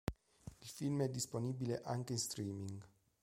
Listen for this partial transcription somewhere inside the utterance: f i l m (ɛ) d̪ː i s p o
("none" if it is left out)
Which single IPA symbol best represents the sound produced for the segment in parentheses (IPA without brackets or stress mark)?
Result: ɛ